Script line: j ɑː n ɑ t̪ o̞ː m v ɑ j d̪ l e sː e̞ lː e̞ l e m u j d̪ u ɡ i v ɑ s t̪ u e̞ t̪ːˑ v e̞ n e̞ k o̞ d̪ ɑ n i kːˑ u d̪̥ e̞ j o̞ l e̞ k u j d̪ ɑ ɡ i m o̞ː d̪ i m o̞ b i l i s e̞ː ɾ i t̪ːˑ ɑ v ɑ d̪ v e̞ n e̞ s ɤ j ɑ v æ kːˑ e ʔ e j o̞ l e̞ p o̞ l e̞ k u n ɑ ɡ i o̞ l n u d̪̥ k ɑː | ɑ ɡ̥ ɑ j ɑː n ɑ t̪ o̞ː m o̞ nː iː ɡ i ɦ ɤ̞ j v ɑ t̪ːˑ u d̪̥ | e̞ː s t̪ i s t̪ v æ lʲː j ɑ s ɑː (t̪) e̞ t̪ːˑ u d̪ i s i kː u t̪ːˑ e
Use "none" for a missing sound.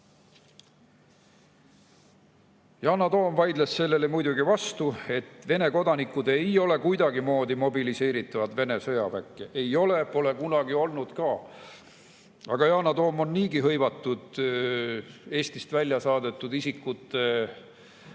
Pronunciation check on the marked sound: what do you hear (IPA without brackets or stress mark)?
d̪